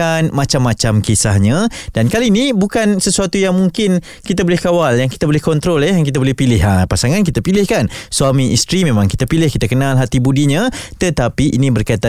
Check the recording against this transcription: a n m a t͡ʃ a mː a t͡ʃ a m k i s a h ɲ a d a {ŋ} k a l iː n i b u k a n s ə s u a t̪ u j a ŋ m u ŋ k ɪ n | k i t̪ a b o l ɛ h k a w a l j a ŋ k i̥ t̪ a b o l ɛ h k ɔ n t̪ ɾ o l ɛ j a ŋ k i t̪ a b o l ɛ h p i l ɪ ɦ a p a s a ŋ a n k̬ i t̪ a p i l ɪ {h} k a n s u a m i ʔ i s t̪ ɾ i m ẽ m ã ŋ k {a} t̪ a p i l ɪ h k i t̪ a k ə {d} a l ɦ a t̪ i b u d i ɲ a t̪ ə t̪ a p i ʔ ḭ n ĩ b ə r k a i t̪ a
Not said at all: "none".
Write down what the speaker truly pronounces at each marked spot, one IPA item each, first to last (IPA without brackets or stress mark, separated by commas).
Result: n, h, i, n